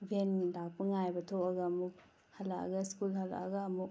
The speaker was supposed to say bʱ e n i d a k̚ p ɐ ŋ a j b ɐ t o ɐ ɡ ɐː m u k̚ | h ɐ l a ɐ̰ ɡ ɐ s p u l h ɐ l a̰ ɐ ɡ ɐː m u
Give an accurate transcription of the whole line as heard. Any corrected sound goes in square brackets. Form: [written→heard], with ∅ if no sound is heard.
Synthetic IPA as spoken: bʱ e n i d a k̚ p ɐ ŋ a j b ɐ [t→tʰ] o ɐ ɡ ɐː m u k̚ | h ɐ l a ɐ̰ ɡ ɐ s [p→k] u l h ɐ l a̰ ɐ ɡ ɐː m u